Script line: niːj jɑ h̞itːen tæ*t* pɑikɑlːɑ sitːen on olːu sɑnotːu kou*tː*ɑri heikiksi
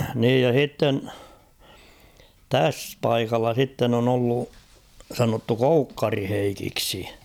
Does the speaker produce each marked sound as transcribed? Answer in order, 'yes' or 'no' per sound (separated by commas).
no, no